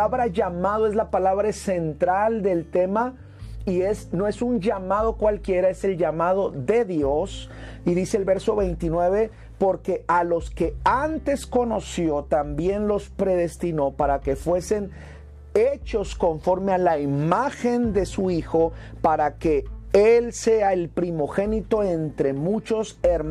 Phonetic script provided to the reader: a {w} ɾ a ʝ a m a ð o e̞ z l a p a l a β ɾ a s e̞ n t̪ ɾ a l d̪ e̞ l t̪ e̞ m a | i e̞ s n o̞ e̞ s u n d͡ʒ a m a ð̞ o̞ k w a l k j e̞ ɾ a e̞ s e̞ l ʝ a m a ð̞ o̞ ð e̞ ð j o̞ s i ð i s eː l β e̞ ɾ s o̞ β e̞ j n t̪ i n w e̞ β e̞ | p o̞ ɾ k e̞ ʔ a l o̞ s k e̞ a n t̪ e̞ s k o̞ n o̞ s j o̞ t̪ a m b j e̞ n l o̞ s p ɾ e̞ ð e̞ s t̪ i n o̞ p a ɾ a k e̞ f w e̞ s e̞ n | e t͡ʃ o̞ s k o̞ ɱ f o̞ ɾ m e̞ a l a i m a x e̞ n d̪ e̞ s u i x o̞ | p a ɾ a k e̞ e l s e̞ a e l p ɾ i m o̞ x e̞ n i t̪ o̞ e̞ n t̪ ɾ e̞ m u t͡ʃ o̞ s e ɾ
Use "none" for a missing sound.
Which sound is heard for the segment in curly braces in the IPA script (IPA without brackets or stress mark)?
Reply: β